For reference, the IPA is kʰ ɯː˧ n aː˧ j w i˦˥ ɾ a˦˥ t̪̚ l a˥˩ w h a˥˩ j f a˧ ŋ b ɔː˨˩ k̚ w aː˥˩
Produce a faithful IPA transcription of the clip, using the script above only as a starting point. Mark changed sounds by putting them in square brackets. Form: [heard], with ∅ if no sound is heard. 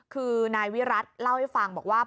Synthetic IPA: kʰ ɯː˧ n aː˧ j w i˦˥ ɾ a˦˥ t̪̚ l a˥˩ w h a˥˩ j f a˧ ŋ b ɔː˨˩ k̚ w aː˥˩